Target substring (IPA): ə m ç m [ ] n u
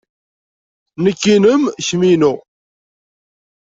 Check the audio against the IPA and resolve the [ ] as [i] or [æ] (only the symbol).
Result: i